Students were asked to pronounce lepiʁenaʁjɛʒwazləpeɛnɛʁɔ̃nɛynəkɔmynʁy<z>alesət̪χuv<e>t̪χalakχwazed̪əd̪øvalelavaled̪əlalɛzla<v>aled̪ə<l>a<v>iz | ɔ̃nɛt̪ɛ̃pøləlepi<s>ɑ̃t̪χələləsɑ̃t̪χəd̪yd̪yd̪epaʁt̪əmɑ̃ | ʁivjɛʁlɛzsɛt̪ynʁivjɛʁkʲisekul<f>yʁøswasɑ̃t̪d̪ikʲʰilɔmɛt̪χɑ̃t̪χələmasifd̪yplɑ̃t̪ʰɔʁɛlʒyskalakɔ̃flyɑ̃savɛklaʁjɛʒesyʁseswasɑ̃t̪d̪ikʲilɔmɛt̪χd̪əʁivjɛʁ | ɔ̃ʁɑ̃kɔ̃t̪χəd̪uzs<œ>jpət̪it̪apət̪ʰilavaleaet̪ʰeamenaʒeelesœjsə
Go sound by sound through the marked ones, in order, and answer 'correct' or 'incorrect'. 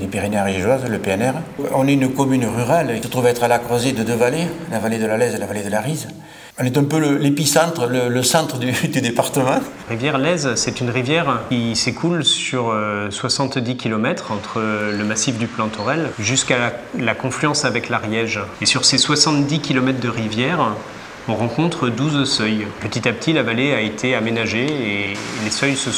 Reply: incorrect: ʁ, incorrect: ɛ, correct, correct, incorrect: ʁ, correct, incorrect: s, correct

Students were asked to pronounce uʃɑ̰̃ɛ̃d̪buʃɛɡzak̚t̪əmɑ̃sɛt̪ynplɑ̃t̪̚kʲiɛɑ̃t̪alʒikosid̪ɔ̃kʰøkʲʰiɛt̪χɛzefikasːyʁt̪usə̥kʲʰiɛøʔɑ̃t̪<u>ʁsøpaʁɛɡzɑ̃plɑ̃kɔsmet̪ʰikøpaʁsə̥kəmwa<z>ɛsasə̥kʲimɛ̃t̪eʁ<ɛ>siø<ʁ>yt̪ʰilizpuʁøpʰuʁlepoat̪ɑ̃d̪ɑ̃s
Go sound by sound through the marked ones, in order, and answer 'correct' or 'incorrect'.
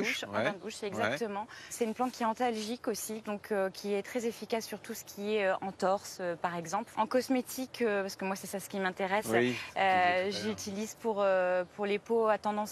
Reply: incorrect: ɔ, incorrect: s, correct, incorrect: ʒ

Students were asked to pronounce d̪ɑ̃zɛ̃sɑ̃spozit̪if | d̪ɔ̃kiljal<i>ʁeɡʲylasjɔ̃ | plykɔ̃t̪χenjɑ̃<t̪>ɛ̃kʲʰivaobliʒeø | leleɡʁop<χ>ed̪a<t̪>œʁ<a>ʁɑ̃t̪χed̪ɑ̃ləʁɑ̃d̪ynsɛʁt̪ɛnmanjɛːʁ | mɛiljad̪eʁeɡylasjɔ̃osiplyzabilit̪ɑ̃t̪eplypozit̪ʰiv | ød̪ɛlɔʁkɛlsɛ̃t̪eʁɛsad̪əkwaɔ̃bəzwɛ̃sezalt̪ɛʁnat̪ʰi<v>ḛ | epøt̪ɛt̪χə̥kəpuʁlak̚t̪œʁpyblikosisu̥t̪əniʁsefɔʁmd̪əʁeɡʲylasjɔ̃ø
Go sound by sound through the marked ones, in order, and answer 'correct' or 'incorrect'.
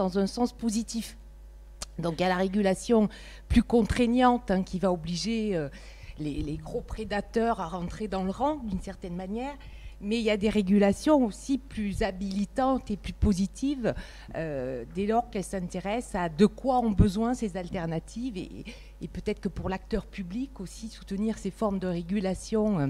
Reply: incorrect: a, correct, correct, correct, correct, correct

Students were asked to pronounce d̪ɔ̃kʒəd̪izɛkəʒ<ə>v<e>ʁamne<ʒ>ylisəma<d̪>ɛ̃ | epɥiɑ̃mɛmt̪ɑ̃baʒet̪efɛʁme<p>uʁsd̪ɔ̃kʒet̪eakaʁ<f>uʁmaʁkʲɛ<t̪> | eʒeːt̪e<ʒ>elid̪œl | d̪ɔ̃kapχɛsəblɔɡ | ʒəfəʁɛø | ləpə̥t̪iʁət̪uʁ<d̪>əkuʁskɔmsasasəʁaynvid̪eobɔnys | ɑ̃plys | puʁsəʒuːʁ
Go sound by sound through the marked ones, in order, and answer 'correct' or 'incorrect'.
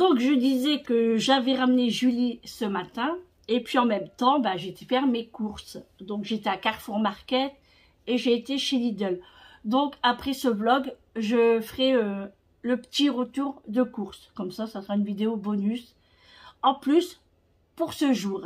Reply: incorrect: a, incorrect: ɛ, correct, incorrect: t̪, incorrect: k, correct, correct, incorrect: ʃ, correct

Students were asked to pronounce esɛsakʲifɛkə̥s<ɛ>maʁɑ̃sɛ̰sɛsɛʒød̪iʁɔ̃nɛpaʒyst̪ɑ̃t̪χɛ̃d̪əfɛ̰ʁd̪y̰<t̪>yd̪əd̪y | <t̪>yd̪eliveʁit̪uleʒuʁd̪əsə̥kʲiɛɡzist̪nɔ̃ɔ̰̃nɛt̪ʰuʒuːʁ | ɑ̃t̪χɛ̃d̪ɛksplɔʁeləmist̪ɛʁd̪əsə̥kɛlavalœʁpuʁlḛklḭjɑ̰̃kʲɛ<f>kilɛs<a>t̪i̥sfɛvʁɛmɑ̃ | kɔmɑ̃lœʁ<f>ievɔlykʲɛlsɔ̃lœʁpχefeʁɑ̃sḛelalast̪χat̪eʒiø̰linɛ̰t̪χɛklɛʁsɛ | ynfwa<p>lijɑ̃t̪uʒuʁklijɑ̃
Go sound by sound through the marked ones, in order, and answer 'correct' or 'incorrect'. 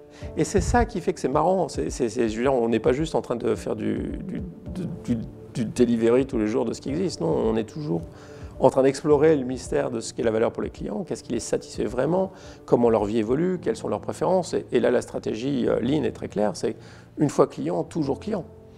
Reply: correct, incorrect: d̪, incorrect: d̪, incorrect: s, correct, incorrect: v, incorrect: k

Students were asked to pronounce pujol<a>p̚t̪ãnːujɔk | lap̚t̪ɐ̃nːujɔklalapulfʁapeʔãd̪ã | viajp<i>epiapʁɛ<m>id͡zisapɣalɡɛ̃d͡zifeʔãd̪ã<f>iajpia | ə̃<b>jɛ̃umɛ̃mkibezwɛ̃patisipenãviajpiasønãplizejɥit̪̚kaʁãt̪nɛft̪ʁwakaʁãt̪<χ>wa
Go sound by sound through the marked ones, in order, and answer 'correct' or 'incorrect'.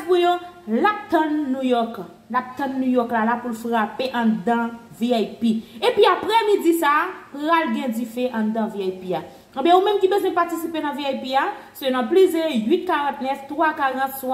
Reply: correct, correct, correct, incorrect: v, correct, incorrect: s

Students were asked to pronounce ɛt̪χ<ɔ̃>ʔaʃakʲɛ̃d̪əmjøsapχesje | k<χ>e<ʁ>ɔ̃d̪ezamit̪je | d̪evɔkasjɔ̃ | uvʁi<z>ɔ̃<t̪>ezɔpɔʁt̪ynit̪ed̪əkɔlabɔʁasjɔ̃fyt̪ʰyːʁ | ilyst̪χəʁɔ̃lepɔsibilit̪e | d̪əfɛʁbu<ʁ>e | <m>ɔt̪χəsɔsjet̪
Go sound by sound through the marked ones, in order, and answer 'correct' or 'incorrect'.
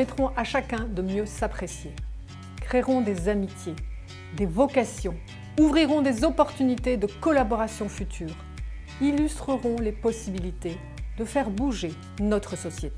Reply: correct, correct, correct, incorrect: ʁ, incorrect: d̪, incorrect: ʒ, incorrect: n

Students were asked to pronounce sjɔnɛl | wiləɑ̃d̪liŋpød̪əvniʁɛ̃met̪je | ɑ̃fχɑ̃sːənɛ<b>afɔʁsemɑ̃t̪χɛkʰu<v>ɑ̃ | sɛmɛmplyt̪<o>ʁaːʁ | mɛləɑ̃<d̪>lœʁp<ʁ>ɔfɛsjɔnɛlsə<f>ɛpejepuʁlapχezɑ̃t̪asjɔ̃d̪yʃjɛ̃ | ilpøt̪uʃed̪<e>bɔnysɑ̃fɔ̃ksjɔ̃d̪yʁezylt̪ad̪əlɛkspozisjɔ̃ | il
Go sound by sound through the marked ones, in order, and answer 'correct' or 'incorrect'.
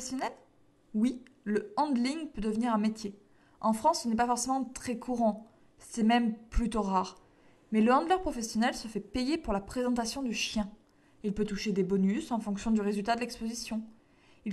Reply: incorrect: p, incorrect: ʁ, correct, correct, incorrect: χ, correct, correct

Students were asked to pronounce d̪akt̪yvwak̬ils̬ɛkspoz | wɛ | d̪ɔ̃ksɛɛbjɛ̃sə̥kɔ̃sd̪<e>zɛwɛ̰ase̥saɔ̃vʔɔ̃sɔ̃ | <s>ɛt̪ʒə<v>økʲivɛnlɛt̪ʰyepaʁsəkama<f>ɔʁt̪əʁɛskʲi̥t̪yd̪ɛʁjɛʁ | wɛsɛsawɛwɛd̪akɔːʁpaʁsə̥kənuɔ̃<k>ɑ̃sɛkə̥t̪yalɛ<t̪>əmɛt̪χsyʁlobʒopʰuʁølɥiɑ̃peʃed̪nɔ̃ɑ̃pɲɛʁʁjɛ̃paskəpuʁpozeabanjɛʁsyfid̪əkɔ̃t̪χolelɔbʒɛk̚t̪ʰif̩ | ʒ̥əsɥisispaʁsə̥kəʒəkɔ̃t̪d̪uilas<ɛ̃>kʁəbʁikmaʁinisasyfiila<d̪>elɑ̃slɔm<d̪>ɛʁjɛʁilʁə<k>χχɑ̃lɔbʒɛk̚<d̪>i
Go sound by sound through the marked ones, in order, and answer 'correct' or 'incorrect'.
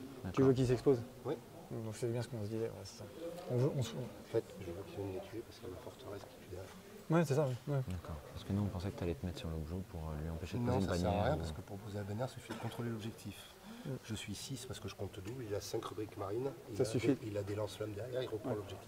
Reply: incorrect: i, incorrect: f, correct, correct, incorrect: p, correct, correct, correct, correct, incorrect: p, incorrect: t̪

